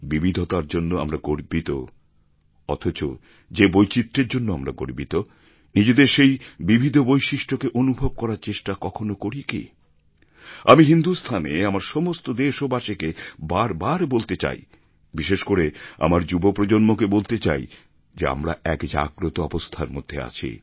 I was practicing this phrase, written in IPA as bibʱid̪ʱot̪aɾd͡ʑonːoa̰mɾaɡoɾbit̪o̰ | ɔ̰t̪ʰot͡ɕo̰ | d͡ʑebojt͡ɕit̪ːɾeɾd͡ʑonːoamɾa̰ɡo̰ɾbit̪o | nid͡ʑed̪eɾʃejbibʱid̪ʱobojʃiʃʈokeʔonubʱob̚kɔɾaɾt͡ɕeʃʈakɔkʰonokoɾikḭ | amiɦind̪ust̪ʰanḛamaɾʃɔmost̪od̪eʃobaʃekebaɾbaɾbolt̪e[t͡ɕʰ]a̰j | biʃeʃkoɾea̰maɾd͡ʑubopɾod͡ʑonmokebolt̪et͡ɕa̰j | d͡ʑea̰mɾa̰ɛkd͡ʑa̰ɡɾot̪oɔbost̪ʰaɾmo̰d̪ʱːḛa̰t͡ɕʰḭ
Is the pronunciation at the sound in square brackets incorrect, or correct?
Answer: incorrect